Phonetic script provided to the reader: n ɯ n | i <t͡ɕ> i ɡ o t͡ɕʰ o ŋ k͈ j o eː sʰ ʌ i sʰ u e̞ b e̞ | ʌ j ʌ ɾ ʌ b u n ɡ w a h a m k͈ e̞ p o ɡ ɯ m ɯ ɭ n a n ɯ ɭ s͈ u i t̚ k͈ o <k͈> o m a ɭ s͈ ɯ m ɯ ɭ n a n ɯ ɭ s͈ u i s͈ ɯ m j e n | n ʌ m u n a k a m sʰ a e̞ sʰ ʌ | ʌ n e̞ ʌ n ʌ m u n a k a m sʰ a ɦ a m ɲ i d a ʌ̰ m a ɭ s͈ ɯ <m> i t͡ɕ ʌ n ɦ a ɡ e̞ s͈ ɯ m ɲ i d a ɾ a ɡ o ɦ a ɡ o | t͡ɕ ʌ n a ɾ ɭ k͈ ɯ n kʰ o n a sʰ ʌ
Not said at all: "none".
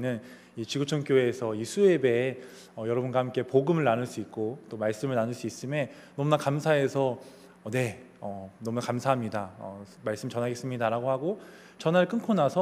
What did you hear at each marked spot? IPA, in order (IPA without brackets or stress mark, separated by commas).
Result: t͡ɕ, t͈, m